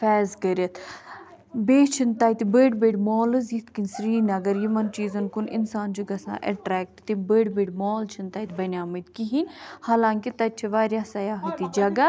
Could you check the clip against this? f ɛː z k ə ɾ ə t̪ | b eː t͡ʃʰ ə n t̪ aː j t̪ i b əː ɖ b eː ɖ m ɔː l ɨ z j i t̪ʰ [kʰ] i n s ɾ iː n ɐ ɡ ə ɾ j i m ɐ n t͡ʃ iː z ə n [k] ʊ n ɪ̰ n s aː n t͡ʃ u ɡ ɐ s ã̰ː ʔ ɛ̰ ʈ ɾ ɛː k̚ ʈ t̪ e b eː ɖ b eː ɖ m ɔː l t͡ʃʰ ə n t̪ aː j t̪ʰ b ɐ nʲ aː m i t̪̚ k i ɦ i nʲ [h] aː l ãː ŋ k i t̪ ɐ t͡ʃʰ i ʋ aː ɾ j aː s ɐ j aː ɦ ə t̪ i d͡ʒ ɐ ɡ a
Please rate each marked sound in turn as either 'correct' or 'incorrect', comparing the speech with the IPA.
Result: incorrect, correct, correct

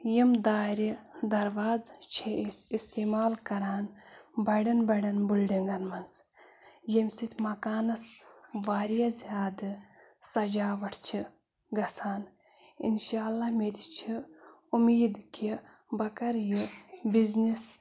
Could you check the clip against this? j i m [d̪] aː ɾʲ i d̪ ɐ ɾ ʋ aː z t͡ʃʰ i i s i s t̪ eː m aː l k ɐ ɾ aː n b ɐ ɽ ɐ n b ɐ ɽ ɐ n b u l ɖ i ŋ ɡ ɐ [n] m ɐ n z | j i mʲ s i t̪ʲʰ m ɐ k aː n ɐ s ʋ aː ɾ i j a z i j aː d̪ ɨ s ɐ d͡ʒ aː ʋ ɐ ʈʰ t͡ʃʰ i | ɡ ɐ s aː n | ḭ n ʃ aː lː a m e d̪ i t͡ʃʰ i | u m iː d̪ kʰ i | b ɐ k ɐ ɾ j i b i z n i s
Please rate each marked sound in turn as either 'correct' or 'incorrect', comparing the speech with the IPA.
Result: correct, correct

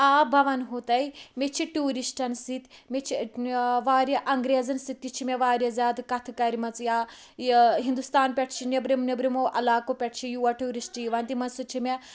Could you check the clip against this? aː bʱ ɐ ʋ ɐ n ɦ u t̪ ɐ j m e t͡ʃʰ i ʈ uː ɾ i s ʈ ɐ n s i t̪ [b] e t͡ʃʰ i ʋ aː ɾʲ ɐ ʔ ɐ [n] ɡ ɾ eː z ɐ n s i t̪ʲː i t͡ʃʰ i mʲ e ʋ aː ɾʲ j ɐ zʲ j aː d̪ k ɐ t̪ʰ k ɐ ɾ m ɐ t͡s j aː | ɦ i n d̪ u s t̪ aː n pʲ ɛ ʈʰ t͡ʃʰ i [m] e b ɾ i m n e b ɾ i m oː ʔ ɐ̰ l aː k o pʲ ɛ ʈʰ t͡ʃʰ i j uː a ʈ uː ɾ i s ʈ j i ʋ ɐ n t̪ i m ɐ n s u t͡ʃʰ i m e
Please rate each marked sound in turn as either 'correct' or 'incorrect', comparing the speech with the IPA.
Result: incorrect, incorrect, incorrect

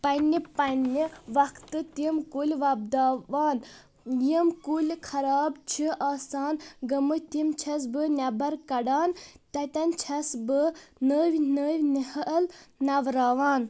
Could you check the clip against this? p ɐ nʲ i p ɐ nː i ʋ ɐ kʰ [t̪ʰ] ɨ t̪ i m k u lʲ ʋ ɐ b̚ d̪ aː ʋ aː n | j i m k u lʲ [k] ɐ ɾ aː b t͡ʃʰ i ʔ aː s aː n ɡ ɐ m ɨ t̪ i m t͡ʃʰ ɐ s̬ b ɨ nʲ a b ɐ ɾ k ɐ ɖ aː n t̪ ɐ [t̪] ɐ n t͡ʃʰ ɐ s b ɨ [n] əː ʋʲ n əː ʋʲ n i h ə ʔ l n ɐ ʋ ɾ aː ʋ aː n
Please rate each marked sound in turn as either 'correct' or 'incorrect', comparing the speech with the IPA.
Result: incorrect, incorrect, correct, correct

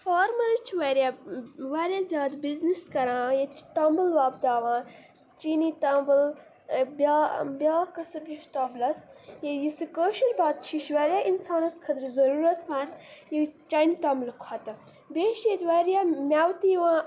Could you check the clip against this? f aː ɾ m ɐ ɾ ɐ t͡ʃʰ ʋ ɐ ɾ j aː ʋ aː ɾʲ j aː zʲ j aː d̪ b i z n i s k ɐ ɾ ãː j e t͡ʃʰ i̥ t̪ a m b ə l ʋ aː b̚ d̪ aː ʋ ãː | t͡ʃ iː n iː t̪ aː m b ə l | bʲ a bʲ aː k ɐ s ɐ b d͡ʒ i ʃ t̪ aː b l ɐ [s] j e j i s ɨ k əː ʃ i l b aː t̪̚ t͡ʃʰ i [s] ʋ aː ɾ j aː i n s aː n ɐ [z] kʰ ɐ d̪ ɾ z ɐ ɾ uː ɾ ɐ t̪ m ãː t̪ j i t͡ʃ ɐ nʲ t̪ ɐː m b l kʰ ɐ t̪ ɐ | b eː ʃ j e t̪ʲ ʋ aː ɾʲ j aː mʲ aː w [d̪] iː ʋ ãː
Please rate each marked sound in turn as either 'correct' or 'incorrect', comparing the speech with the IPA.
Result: correct, incorrect, incorrect, incorrect

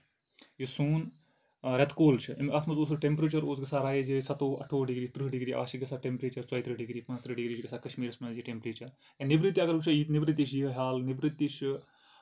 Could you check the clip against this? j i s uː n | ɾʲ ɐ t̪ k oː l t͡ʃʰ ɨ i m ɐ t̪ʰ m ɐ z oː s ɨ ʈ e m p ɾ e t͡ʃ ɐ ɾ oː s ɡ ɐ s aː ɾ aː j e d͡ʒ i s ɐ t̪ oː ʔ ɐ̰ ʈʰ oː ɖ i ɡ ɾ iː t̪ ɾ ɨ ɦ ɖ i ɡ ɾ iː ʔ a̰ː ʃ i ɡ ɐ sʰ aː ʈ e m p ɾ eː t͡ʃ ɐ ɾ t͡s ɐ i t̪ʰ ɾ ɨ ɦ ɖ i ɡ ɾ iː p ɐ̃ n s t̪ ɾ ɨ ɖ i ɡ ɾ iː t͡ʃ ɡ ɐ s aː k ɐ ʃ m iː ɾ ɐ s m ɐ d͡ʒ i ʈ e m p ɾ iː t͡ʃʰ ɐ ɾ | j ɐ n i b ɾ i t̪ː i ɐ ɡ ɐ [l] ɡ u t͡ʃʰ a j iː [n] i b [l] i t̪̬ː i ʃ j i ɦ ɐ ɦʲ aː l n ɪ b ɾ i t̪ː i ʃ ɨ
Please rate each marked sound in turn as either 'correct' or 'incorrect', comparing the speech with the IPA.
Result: incorrect, correct, incorrect

